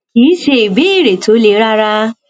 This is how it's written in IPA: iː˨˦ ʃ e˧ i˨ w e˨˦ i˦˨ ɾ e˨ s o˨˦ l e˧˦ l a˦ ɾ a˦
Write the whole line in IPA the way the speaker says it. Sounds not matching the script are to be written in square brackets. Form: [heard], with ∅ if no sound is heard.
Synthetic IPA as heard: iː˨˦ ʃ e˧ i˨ [b] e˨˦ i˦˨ ɾ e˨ [t] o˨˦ l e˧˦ [ɾ] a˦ ɾ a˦